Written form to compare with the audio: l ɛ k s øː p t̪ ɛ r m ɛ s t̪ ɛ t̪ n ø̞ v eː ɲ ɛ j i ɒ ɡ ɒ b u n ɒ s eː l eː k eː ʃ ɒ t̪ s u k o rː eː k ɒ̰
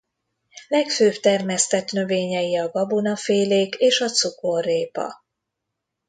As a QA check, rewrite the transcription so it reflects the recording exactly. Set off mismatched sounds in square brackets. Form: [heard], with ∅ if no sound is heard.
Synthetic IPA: l ɛ k [f] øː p t̪ ɛ r m ɛ s t̪ ɛ t̪ n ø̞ v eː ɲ ɛ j i ɒ ɡ ɒ b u n ɒ [f] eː l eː k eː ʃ ɒ t̪ s u k o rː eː [p] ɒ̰

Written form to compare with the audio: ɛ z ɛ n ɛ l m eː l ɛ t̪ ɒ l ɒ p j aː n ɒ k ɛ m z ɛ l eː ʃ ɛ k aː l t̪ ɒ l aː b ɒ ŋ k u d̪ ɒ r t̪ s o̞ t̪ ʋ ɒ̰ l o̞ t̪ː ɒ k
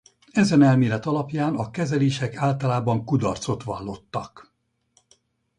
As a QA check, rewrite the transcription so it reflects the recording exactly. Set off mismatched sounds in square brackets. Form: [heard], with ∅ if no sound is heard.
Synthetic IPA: ɛ z ɛ n ɛ l m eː l ɛ t̪ ɒ l ɒ p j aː n ɒ k ɛ [∅] z ɛ l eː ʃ ɛ k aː l t̪ ɒ l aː b ɒ ŋ k u d̪ ɒ r t̪ s o̞ t̪ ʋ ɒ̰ [lː] o̞ t̪ː ɒ k

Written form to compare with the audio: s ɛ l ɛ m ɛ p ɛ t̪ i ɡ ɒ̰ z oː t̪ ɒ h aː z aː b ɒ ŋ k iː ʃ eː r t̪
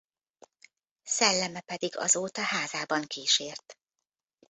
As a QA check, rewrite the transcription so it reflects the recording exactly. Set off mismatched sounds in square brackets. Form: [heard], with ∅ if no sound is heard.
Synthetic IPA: s ɛ [lː] ɛ m ɛ p ɛ [d̪] i ɡ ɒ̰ z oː t̪ ɒ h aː z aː b ɒ ŋ k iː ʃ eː r t̪

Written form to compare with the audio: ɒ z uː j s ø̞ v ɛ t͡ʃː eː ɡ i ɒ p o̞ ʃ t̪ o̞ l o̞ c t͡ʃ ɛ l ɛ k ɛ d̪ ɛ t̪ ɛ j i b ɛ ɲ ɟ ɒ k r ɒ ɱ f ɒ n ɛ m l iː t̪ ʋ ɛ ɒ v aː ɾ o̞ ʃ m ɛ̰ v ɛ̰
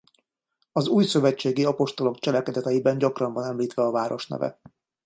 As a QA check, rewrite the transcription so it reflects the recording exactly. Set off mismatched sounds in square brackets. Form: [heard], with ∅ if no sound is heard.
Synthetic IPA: ɒ z uː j s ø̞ v ɛ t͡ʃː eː ɡ i ɒ p o̞ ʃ t̪ o̞ l o̞ [k] t͡ʃ ɛ l ɛ k ɛ d̪ ɛ t̪ ɛ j i b ɛ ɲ ɟ ɒ k r ɒ ɱ [v] ɒ n ɛ m l iː t̪ ʋ ɛ ɒ v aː ɾ o̞ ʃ [n] ɛ̰ v ɛ̰

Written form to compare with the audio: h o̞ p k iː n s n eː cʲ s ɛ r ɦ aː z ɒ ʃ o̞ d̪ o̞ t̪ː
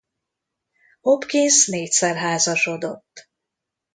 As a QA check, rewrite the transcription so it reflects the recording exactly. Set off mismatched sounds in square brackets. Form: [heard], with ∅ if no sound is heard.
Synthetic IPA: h o̞ p k [i] n s n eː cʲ s ɛ r ɦ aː z ɒ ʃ o̞ d̪ o̞ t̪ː

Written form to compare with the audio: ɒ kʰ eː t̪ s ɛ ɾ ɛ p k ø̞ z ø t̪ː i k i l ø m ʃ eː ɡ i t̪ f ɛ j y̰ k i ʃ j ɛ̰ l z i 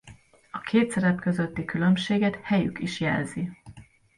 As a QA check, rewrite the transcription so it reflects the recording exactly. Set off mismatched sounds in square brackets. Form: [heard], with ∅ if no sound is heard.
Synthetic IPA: ɒ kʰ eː t̪ s ɛ ɾ ɛ p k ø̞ z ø t̪ː i k [y] l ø m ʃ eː ɡ [ɛ] t̪ [h] ɛ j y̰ k i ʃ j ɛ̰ l z i

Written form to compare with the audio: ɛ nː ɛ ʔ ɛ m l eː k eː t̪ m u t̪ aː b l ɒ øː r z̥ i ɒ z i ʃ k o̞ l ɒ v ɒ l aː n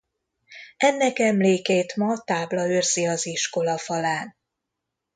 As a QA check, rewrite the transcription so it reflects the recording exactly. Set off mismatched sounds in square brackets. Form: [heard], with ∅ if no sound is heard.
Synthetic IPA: ɛ nː ɛ [k] ɛ m l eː k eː t̪ m [ɒ] t̪ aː b l ɒ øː r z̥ i ɒ z i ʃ k o̞ l ɒ [f] ɒ l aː n

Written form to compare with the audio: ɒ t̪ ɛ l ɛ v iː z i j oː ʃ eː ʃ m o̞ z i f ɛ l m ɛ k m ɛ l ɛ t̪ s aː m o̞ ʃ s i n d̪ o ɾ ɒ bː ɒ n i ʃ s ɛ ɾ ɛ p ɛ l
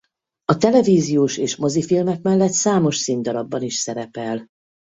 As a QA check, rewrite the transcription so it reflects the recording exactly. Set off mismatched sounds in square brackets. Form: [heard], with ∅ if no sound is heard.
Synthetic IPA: ɒ t̪ ɛ l ɛ v iː z i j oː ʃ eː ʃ m o̞ z i f [i] l m ɛ k m ɛ [lː] ɛ t̪ s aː m o̞ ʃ s i n d̪ [ɒ] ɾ ɒ bː ɒ n i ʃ s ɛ ɾ ɛ p ɛ l

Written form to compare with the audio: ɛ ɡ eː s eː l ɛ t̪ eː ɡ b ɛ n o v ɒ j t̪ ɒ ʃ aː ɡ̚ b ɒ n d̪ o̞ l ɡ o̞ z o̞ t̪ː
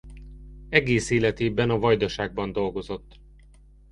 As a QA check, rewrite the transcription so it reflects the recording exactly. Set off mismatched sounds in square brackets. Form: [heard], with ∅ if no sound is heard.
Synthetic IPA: ɛ ɡ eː s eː l ɛ t̪ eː [∅] b ɛ n [ɒ] v ɒ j [d̪] ɒ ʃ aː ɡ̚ b ɒ n d̪ o̞ l ɡ o̞ z o̞ t̪ː

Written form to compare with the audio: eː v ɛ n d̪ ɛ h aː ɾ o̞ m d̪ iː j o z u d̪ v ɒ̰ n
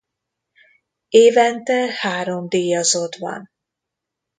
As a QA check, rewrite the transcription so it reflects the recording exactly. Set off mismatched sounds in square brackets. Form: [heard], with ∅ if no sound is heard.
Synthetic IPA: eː v ɛ n [t̪] ɛ h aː ɾ o̞ m d̪ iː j [ɒ] z [o] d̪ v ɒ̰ n

